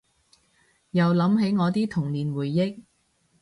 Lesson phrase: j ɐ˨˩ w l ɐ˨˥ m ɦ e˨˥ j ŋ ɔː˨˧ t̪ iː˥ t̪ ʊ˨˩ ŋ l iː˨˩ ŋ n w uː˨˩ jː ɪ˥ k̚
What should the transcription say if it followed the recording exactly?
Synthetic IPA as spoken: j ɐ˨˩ w l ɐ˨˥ m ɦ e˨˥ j ŋ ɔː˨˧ t̪ iː˥ t̪ʰ ʊ˨˩ ŋ l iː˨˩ n w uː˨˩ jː ɪ˥ k̚